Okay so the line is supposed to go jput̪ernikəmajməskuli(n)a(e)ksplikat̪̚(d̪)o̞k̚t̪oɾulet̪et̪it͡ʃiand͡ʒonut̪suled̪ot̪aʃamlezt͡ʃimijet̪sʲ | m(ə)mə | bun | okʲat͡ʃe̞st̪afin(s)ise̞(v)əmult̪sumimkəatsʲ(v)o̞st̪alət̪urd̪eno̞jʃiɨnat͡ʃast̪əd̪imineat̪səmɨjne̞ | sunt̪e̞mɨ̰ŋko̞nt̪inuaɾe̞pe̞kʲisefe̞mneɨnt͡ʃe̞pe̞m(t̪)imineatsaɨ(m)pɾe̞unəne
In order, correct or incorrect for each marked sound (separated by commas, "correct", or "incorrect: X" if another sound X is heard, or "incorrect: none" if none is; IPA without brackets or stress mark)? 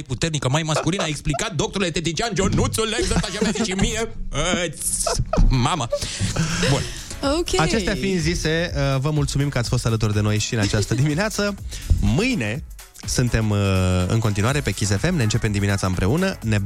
correct, correct, correct, incorrect: a, incorrect: z, correct, incorrect: f, incorrect: d̪, correct